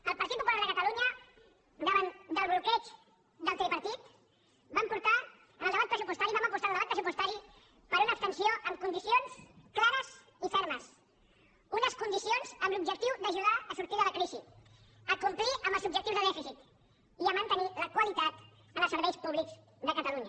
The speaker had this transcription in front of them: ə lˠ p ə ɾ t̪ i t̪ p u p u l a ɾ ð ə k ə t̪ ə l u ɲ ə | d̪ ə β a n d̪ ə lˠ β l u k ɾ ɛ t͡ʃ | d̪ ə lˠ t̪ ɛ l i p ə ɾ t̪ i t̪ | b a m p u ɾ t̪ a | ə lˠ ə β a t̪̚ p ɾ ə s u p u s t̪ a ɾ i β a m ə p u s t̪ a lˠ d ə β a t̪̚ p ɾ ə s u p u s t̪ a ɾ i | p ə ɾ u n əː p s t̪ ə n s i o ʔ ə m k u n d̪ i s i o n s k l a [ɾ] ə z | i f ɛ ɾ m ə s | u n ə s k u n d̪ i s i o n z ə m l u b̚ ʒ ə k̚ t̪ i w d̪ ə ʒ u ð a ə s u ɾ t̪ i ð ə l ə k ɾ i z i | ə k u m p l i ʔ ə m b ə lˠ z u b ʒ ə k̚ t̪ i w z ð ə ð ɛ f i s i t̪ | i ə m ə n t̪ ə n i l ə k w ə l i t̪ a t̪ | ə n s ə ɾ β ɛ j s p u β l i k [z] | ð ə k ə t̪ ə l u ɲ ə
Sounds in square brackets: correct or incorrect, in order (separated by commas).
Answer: correct, correct